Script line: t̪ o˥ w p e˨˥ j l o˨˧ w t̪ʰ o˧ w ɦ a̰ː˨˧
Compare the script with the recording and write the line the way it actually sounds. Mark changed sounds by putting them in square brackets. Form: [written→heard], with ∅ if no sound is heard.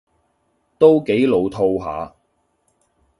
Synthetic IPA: t̪ o˥ w [p→k] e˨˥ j l o˨˧ w t̪ʰ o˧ w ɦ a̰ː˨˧

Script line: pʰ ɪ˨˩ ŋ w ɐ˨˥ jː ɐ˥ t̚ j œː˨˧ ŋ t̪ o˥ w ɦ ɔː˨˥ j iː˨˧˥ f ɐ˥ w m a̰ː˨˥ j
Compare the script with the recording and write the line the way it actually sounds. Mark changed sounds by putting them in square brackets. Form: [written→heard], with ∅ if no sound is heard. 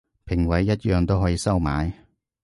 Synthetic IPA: pʰ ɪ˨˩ ŋ w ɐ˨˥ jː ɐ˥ t̚ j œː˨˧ ŋ t̪ o˥ w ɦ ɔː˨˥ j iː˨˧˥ [f→s] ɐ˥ w m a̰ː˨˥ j

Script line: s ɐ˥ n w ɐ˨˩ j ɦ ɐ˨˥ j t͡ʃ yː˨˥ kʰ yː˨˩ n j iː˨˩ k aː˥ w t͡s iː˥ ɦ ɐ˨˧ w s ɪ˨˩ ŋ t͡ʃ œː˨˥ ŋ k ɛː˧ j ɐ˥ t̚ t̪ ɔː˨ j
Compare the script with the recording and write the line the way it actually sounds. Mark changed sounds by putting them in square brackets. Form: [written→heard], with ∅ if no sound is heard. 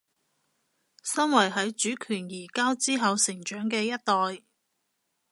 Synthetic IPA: s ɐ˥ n w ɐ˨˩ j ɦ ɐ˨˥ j t͡ʃ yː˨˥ kʰ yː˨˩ n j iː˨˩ k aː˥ w t͡s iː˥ ɦ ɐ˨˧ w s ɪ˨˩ ŋ t͡ʃ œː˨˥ ŋ k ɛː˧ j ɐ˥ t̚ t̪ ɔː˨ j

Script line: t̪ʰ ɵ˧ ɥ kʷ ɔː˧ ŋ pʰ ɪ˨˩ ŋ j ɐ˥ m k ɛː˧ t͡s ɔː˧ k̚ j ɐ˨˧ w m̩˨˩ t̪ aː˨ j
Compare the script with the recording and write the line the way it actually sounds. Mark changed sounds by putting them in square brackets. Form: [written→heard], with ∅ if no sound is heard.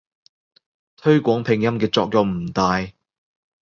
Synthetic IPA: t̪ʰ [ɵ˧→ɵ˥] ɥ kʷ [ɔː˧→ɔː˨˥] ŋ pʰ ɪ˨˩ ŋ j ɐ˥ m k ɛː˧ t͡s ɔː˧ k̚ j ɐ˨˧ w m̩˨˩ t̪ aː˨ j

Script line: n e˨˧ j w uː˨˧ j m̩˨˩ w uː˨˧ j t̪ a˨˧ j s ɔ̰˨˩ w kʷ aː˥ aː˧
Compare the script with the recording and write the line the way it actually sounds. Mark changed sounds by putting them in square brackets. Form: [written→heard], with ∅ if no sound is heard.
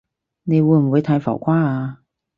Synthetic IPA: n e˨˧ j w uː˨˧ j m̩˨˩ w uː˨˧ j [t̪→t̪ʰ] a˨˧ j [s→f] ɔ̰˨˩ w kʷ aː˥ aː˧

